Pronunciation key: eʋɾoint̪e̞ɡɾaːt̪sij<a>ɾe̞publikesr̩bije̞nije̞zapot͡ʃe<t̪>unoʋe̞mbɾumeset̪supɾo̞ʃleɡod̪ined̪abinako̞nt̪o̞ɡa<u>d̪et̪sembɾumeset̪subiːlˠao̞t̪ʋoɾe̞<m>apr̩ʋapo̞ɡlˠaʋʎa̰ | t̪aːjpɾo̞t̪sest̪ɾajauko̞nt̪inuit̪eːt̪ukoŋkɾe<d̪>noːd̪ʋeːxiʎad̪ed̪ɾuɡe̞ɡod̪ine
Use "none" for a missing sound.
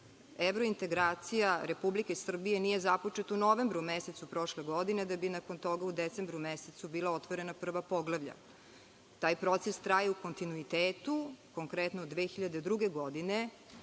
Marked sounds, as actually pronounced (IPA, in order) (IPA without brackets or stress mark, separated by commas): a, t̪, u, n, t̪